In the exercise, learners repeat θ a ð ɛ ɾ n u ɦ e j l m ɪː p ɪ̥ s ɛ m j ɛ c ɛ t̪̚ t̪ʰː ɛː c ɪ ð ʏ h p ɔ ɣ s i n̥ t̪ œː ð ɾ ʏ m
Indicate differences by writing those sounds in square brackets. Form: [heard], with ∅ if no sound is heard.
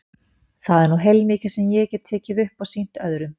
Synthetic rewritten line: θ a ð ɛ ɾ n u ɦ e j l m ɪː [c] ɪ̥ s ɛ m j ɛ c ɛ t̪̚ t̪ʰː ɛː c ɪ ð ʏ h p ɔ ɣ s i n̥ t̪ [œ] ð ɾ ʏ m